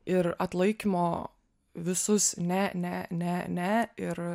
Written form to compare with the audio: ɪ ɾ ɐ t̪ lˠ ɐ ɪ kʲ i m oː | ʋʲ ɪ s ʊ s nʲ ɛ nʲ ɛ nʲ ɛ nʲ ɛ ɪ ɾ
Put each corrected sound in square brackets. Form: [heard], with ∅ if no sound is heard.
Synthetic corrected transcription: ɪ ɾ ɐ t̪ lˠ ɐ ɪ kʲ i m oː | ʋʲ ɪ s ʊ s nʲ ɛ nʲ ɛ nʲ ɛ nʲ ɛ ɪ ɾ